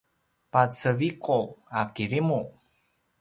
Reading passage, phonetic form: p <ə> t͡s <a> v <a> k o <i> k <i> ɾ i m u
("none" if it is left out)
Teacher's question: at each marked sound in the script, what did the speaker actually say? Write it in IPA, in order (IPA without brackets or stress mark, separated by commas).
a, ə, i, a, i